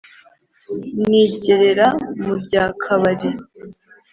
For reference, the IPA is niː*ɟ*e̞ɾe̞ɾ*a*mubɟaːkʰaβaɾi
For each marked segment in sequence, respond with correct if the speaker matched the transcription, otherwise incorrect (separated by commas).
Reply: correct, correct